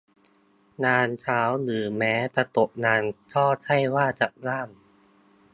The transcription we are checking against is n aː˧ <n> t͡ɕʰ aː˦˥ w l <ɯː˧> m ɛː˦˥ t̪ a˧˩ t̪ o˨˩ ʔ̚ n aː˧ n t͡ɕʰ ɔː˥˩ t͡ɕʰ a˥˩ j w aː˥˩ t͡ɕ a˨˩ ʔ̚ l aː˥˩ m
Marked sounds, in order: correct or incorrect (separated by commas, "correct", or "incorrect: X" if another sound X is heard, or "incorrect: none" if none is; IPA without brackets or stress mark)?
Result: correct, incorrect: ɯː˩˦